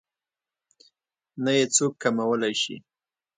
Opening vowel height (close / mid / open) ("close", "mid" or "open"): open